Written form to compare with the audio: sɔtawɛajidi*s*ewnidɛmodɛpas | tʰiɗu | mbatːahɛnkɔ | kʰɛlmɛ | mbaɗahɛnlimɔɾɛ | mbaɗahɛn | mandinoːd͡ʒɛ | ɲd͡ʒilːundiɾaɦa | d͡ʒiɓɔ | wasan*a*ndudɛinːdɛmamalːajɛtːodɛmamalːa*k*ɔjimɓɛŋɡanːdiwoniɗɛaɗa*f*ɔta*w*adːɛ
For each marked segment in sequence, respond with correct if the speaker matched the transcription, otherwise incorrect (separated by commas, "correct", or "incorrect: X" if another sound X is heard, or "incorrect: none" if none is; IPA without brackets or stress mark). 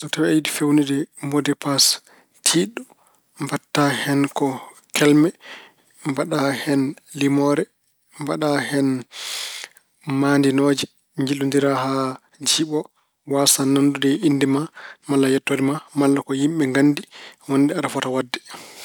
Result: incorrect: f, correct, correct, correct, correct